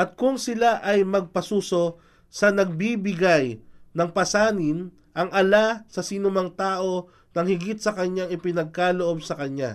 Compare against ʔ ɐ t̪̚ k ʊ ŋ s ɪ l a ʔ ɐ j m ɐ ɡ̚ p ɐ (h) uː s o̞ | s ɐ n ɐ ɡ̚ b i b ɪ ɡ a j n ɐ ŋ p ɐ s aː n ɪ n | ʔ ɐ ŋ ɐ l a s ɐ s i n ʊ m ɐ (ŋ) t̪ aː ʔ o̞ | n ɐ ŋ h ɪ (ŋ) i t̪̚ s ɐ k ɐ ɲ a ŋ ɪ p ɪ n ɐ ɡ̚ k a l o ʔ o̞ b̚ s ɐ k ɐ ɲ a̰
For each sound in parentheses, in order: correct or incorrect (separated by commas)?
incorrect, correct, incorrect